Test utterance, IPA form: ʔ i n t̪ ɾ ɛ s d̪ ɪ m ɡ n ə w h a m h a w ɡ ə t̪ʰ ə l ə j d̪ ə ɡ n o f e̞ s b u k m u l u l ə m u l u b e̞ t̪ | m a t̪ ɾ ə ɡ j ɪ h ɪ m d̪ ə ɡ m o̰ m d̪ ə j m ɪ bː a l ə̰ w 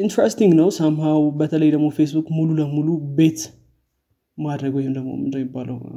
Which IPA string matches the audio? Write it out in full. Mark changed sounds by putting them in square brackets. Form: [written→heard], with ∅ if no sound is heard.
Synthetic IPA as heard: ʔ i n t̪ ɾ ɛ s [d̪→t̪] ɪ [m→ŋ] ɡ n ə w [h→s] a m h a w [ɡ→b] ə t̪ʰ ə l ə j d̪ ə ɡ [n→m] o f e̞ s b u k m u l u l ə m u l u b e̞ t̪ | m a [t̪→d̪] ɾ ə ɡ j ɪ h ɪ m d̪ ə ɡ m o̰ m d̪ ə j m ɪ bː a l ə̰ w